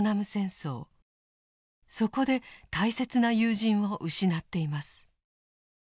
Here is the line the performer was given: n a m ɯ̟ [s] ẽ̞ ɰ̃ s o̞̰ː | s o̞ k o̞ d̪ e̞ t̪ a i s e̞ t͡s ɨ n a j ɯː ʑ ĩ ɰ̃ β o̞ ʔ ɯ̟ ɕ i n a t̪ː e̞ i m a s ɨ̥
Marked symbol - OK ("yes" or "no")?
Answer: yes